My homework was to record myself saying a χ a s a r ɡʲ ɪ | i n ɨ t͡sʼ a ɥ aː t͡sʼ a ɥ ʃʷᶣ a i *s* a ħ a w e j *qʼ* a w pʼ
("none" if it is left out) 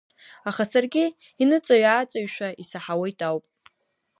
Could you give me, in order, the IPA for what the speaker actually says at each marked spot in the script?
s, tʼ

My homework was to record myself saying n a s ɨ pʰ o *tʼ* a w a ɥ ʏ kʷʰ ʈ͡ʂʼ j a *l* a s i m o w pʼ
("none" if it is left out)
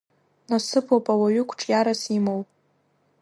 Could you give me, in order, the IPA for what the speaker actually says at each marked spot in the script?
pʼ, ɾ

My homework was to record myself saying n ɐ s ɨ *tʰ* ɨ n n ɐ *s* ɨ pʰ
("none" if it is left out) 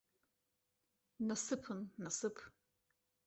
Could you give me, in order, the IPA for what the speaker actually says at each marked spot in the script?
pʰ, s

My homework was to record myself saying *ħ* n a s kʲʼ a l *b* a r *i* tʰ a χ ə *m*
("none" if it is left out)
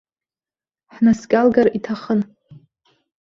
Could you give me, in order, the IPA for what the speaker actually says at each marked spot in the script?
ħ, ɡ, i, n

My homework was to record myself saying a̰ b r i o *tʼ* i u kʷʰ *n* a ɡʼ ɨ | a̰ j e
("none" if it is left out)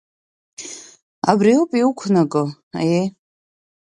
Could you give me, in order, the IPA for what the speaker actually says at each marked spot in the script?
pʼ, n

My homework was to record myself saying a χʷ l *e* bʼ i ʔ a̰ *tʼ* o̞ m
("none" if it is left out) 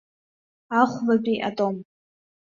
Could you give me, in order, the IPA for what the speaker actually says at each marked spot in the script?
a, tʼ

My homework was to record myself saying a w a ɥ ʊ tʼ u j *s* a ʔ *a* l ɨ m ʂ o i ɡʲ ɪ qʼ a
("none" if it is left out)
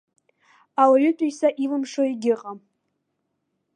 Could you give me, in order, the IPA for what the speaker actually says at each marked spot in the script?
s, i

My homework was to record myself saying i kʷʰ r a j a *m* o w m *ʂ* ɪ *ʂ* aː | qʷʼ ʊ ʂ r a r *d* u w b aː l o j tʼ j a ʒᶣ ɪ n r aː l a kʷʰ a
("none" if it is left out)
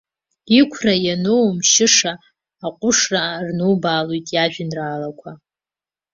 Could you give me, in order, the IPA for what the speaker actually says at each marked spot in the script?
n, ʃ, ʂ, n

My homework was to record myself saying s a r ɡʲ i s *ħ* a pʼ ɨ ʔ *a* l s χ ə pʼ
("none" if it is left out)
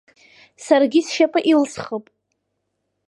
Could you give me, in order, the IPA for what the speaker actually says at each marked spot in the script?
ʃ, i

